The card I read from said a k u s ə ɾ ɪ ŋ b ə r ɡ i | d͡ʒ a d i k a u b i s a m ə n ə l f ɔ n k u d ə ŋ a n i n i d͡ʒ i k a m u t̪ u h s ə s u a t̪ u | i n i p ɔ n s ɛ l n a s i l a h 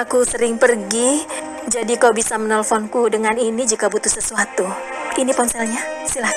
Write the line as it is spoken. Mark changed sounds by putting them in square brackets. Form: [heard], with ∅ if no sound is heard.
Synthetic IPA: a k u s ə ɾ ɪ ŋ [p] ə r ɡ i | d͡ʒ a d i k a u b i s a m ə n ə l f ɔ n k u d ə ŋ a n i n i d͡ʒ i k a [b] u t̪ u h s ə s u a t̪ u | i n i p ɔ n s ɛ l [ɲ] a s i l a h